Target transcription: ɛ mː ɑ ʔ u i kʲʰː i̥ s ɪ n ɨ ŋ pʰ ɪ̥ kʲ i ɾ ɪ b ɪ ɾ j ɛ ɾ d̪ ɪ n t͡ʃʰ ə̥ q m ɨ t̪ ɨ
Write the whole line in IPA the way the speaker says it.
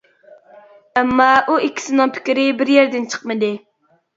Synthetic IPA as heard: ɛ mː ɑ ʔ u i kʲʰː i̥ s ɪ n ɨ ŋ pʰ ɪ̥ kʲ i ɾ ɪ b ɪ ɾ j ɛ ɾ d̪ ɪ n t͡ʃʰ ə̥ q m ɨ d̪ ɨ

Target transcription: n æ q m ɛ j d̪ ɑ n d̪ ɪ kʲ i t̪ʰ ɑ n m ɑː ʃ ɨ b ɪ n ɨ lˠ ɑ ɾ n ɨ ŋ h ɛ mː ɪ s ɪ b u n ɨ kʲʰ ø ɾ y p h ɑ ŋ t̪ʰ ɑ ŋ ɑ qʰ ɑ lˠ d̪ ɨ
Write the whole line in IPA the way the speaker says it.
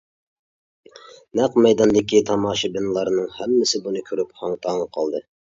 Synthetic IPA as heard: n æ q m ɛ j d̪ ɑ n d̪ ɪ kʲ i t̪ʰ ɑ m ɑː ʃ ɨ b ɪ n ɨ lˠ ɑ ɾ n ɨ ŋ h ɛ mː ɪ s ɪ b u n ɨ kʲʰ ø ɾ y p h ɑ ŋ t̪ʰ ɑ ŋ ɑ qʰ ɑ lˠ d̪ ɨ

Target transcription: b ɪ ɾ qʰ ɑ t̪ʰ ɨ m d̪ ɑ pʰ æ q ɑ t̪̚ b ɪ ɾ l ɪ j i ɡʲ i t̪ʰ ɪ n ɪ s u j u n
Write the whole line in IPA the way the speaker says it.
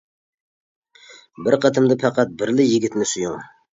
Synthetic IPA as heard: b ɪ ɾ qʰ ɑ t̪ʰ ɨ m d̪ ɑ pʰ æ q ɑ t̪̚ b ɪ ɾ l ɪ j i ɡʲ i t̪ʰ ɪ n ɪ s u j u ŋ

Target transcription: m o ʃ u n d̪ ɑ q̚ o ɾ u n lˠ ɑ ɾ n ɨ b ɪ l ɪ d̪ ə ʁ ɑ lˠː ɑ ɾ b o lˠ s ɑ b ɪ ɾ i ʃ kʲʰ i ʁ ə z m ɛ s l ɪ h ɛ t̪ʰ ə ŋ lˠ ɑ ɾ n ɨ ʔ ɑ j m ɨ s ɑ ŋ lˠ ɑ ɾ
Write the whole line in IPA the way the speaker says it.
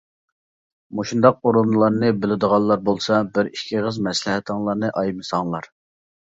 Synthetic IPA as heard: m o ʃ u n d̪ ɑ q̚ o ɾ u n lˠ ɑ ɾ n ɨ b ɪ l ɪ d̪ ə ʁ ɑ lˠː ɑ ɾ b o lˠ s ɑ b ɪ ɾ i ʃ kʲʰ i ʁ ə z m ɛ s l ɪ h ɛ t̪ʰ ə ŋ lˠ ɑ ɾ n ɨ ʔ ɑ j m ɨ s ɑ ŋ lˠ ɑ ɾ

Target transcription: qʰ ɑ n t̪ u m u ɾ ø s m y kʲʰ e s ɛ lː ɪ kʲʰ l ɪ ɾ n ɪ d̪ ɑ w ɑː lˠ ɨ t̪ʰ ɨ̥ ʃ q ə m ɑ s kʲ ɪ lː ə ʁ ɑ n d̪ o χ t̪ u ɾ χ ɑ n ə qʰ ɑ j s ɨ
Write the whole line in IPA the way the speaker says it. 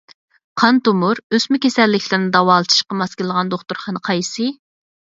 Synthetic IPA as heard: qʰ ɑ n t̪ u m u ɾ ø s m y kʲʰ e s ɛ lː ɪ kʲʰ l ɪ ɾ n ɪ d̪ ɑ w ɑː lˠ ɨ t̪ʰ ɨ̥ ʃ q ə m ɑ s kʲ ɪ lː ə ʁ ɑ n d̪ o χ t̪ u ɾ χ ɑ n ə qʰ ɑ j s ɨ

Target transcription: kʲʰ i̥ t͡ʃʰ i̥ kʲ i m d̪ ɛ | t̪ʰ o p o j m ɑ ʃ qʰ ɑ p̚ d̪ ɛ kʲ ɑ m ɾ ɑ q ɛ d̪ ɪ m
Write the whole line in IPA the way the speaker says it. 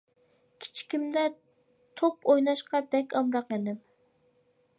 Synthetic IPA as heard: kʲʰ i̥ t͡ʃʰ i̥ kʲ i m d̪ ɛ | t̪ʰ o p o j n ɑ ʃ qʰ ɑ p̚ d̪ ɛ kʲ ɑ m ɾ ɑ q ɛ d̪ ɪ m

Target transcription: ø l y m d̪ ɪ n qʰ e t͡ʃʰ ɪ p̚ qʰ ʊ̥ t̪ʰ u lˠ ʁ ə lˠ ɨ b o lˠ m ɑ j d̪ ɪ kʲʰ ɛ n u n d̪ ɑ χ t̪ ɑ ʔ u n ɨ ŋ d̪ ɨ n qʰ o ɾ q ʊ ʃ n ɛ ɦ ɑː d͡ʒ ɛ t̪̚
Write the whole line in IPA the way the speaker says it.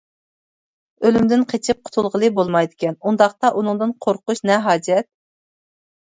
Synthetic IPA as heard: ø l y m d̪ ɪ n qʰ e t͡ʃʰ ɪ p̚ qʰ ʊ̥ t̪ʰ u lˠ ʁ ə lˠ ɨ b o lˠ m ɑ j d̪ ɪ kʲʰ ɛ n u n d̪ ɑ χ t̪ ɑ ʔ u n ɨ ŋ d̪ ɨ n qʰ o ɾ q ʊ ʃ n ɛ ɦ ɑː d͡ʒ ɛ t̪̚

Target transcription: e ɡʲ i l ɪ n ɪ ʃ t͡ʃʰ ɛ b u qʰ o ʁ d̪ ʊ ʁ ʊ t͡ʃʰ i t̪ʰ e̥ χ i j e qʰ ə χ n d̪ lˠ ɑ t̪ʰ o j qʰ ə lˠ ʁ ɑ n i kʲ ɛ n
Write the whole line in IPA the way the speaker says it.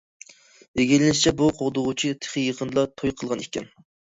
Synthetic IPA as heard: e ɡʲ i l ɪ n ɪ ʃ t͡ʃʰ ɛ b u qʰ o ʁ d̪ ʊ ʁ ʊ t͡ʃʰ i t̪ʰ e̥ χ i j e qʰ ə n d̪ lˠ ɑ t̪ʰ o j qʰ ə lˠ ʁ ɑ n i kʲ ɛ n

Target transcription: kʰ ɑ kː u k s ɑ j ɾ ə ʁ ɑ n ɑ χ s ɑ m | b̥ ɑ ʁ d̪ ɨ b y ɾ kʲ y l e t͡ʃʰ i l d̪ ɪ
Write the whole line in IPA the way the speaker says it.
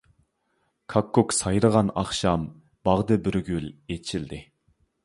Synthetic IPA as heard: kʰ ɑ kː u k s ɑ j ɾ ə ʁ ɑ n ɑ χ ʃ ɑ m | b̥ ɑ ʁ d̪ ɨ b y ɾ ɡʲ y l e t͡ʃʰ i l d̪ ɪ

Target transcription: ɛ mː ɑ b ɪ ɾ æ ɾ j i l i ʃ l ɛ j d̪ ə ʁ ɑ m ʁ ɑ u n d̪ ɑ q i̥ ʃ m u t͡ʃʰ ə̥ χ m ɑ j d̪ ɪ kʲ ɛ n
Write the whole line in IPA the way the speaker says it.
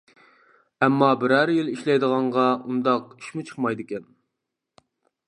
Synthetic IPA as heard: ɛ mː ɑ b ɪ ɾ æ ɾ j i l i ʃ l ɛ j d̪ ə ʁ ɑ ɴ ʁ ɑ u n d̪ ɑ q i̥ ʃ m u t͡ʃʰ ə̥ χ m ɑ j d̪ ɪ kʲ ɛ n

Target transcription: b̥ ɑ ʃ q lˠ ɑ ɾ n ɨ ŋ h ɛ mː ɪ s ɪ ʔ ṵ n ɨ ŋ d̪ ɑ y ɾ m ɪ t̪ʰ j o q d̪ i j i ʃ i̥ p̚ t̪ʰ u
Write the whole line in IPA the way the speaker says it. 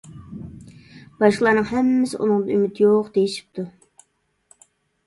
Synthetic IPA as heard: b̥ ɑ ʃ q lˠ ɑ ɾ n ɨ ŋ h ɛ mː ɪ s ɪ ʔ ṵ n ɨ ŋ d̪ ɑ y m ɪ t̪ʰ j o q d̪ e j i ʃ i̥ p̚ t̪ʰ u

